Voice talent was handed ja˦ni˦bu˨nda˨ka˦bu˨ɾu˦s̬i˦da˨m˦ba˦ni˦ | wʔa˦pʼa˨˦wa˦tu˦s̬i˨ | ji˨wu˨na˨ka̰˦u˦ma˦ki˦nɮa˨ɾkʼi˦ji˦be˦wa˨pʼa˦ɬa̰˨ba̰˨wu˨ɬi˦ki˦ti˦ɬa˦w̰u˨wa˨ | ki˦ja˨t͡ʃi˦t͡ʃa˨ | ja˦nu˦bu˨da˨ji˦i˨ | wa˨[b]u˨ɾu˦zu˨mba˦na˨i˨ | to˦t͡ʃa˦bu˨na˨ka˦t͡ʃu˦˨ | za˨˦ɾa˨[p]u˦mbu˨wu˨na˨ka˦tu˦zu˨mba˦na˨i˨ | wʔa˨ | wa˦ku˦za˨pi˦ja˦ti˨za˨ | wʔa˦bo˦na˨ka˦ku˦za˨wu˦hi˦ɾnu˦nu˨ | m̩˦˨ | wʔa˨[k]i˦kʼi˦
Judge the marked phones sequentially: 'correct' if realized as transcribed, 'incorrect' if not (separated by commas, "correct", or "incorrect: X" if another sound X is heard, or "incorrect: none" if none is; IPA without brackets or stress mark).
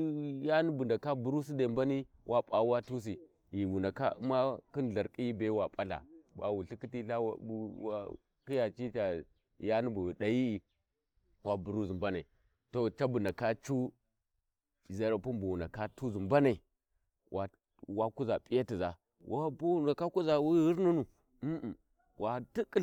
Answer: correct, correct, incorrect: t